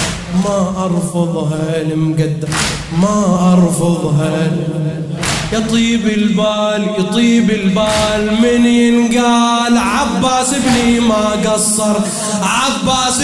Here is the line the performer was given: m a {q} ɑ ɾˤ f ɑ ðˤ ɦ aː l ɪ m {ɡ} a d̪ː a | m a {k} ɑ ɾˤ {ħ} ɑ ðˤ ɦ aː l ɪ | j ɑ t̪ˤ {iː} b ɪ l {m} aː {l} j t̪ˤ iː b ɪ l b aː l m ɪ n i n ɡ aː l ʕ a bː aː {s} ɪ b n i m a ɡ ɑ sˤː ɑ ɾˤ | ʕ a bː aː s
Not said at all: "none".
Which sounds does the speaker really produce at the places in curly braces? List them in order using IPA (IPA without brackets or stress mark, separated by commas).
ʔ, ɡ, ʔ, f, iː, b, l, s